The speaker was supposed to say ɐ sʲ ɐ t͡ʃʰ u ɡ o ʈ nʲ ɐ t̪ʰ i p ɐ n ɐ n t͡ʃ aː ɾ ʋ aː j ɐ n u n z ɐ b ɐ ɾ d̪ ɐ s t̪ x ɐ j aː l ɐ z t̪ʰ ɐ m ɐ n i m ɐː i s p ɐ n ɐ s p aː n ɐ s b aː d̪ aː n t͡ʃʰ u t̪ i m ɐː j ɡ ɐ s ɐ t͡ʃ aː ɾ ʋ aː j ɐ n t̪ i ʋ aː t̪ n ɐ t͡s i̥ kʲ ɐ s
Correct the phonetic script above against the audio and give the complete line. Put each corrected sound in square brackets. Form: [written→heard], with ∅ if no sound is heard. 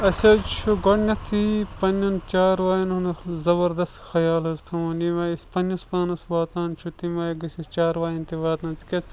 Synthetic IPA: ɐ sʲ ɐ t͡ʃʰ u ɡ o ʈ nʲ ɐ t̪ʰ i p ɐ n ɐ n t͡ʃ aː ɾ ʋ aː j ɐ n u n z ɐ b ɐ ɾ d̪ ɐ s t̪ x ɐ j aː l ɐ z t̪ʰ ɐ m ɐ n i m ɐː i s p ɐ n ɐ s p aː n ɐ s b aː [d̪→t̪] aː n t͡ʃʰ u t̪ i m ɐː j ɡ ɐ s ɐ t͡ʃ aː ɾ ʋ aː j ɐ n t̪ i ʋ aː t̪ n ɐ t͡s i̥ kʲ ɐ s

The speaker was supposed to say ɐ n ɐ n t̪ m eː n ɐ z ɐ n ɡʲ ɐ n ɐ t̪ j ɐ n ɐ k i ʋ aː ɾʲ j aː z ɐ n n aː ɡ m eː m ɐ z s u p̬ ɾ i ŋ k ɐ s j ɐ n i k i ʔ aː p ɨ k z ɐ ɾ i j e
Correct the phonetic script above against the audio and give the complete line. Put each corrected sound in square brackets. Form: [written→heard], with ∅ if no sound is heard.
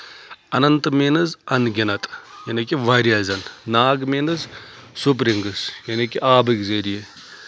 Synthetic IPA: ɐ n ɐ n t̪ m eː n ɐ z ɐ n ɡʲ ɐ n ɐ t̪ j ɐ n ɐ k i ʋ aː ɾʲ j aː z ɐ n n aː ɡ m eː [m→n] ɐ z s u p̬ ɾ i ŋ [k→ɡ] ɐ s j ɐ n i k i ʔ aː [p→b] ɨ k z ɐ ɾ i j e

